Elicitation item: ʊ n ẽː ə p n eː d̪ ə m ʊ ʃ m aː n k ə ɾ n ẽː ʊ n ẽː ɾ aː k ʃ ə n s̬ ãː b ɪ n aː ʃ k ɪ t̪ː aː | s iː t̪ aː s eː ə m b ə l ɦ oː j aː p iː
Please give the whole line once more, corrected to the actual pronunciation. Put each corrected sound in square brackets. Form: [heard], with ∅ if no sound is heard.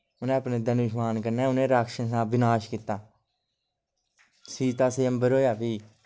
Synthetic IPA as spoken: ʊ n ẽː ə p n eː d̪ ə [n] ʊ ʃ m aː n k ə ɾ n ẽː ʊ n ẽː ɾ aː k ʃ ə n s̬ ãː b ɪ n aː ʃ k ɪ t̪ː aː | s iː t̪ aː s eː ə m b ə [ɾ] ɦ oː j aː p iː